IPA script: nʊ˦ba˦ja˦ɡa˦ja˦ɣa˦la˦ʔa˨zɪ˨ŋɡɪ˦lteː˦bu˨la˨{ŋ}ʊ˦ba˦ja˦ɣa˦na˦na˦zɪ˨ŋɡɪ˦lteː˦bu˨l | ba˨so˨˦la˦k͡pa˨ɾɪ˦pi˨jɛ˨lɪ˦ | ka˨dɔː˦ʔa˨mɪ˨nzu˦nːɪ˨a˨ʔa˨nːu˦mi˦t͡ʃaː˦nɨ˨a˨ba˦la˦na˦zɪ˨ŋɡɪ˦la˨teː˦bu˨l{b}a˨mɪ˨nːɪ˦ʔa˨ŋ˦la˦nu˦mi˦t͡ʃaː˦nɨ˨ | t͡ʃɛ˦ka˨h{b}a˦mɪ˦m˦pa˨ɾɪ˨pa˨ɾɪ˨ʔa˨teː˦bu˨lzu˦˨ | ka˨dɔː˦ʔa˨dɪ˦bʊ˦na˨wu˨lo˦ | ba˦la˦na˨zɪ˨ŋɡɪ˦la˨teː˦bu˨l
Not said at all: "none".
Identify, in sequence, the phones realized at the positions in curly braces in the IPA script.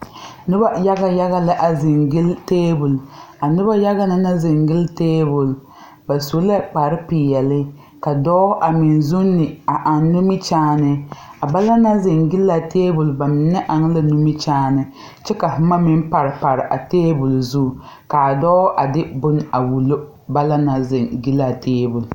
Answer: n, b, m

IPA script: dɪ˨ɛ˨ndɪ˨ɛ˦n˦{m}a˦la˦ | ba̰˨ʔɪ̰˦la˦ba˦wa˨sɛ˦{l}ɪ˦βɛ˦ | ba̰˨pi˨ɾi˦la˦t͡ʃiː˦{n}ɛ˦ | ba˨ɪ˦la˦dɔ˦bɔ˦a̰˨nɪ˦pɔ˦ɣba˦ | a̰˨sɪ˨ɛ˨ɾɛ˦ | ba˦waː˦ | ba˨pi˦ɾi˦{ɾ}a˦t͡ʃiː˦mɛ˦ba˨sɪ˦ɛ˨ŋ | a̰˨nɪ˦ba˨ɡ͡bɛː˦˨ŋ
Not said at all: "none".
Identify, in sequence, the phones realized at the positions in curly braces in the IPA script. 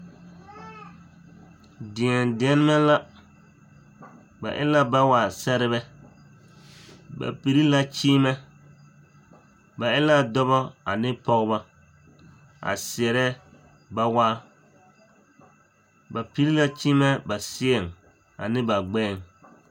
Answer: m, ɾ, m, l

